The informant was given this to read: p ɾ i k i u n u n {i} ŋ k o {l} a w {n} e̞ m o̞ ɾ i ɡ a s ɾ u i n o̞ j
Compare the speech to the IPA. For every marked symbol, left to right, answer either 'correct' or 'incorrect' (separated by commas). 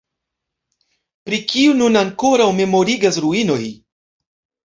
incorrect, incorrect, incorrect